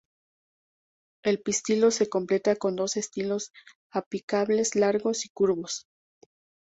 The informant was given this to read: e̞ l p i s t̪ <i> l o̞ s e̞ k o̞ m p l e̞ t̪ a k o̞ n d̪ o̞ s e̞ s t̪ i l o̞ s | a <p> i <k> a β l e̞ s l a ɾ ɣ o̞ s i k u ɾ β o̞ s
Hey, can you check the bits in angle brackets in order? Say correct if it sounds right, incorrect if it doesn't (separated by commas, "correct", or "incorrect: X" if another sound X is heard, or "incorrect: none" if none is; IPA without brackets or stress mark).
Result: correct, correct, correct